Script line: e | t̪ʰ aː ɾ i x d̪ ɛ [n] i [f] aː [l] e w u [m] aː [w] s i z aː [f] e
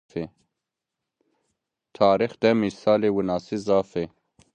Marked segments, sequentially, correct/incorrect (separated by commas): incorrect, incorrect, correct, incorrect, incorrect, correct